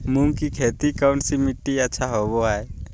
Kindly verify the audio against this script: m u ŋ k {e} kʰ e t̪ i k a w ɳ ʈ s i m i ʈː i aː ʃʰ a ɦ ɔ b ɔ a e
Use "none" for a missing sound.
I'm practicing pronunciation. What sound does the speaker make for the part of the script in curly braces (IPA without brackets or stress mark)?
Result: i